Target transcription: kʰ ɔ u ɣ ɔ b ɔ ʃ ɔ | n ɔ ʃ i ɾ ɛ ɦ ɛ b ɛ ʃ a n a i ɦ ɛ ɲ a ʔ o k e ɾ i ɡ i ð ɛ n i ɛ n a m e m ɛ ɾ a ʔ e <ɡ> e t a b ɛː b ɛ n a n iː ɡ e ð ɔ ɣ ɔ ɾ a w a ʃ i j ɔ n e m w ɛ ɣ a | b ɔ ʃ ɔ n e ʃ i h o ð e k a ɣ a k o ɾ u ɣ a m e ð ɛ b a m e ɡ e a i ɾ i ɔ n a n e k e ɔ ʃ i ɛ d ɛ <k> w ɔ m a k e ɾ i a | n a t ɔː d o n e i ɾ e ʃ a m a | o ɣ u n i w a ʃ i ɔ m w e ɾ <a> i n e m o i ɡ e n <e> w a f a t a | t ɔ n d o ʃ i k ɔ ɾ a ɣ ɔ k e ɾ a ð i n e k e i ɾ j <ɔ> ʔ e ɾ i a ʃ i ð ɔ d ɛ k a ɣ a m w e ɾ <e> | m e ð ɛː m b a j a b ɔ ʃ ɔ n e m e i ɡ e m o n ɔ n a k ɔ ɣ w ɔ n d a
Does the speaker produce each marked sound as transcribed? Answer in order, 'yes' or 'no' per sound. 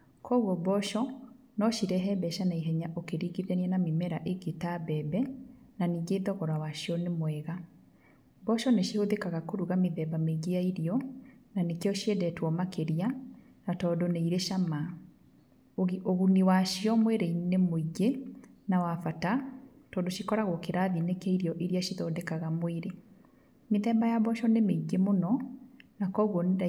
yes, no, no, no, yes, yes

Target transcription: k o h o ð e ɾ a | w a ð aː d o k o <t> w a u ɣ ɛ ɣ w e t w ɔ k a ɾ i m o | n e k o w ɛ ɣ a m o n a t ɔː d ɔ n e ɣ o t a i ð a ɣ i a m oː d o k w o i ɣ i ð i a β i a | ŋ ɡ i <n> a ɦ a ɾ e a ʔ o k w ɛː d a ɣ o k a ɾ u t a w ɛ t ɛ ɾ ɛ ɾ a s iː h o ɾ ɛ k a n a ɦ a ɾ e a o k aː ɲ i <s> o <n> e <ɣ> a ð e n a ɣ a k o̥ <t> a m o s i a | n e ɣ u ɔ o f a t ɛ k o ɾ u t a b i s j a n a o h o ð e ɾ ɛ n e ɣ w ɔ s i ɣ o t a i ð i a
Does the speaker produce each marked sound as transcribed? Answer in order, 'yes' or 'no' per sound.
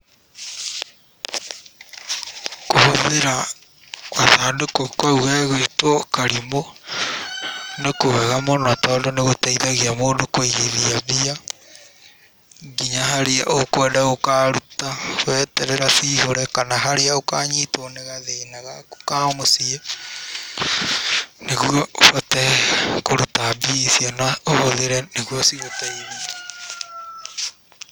no, no, no, yes, yes, no

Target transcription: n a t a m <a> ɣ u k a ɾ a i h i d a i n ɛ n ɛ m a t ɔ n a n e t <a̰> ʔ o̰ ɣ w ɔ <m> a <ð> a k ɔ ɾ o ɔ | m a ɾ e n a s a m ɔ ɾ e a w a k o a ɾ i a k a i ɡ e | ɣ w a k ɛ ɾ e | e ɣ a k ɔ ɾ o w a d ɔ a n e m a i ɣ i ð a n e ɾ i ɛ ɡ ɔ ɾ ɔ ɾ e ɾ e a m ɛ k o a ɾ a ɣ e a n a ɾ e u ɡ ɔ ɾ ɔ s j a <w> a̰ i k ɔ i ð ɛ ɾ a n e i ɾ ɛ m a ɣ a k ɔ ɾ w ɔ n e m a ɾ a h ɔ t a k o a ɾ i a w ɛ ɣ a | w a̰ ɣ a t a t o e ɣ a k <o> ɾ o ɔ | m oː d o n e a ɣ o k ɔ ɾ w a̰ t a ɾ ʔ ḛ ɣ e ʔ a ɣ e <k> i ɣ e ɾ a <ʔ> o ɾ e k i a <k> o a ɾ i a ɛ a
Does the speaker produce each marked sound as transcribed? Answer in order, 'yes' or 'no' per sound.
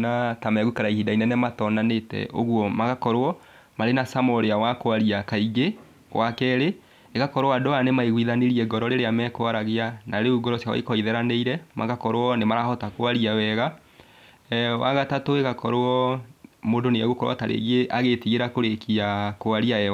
no, no, yes, no, yes, no, no, no, yes

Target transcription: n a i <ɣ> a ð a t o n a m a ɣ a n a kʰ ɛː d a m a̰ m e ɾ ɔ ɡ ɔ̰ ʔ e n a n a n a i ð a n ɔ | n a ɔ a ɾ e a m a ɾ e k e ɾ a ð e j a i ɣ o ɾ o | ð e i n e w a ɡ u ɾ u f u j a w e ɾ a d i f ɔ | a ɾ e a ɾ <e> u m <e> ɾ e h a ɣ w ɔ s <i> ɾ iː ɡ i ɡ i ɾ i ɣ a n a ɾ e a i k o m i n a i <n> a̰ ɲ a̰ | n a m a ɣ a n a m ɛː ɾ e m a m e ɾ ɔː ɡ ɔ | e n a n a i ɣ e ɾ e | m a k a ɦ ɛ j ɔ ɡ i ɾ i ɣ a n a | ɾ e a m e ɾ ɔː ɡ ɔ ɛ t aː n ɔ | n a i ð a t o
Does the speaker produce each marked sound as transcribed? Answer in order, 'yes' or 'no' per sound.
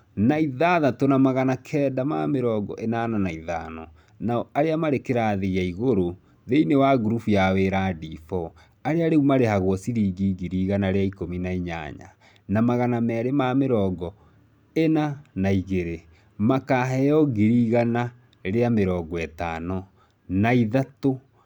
no, yes, no, yes, no

